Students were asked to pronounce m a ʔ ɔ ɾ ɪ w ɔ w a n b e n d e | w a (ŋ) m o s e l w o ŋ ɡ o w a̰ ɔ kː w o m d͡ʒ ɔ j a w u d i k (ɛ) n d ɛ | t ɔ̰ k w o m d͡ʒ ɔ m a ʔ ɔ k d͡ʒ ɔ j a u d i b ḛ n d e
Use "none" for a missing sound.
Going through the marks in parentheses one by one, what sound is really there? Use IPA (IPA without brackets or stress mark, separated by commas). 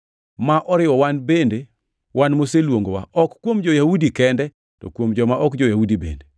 n, ɛ